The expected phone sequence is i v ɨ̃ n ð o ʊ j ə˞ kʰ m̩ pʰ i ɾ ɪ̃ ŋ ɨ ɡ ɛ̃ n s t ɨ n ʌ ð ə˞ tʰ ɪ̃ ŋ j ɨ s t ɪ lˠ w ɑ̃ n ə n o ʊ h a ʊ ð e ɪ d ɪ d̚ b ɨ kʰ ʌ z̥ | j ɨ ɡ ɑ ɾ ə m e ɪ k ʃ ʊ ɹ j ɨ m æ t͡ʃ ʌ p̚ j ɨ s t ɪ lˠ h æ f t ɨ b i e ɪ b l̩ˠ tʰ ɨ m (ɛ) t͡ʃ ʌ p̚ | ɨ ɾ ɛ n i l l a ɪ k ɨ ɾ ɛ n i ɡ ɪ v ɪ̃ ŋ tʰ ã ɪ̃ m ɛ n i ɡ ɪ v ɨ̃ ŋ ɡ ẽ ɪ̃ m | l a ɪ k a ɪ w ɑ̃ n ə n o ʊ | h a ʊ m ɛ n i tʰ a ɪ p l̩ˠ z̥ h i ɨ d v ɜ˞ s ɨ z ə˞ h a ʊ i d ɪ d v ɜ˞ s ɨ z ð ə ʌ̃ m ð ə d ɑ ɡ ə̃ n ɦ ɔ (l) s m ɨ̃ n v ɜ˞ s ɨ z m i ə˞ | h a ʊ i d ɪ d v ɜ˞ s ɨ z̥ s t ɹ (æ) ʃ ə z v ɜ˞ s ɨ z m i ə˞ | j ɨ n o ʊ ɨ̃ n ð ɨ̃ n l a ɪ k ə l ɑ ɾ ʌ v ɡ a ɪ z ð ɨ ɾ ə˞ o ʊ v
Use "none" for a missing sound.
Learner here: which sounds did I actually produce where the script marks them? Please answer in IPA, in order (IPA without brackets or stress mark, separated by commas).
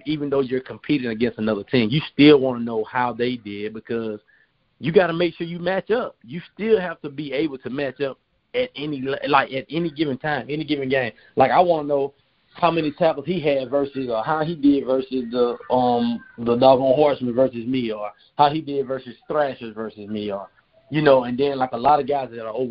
æ, ɹ, æ